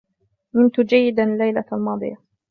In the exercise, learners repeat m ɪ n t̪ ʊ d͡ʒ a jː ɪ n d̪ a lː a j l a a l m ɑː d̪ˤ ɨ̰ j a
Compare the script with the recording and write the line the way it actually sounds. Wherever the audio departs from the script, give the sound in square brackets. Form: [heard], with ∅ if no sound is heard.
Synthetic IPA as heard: m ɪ n t̪ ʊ d͡ʒ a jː ɪ [∅] d̪ a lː a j l a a l m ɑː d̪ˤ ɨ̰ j a